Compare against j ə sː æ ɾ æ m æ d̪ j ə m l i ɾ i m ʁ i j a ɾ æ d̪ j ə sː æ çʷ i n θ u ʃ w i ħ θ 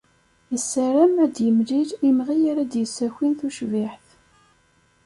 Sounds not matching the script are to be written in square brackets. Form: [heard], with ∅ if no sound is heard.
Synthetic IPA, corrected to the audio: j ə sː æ ɾ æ m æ d̪ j ə m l i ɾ i m ʁ i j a ɾ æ d̪ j ə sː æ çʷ i n θ u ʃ [v] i ħ θ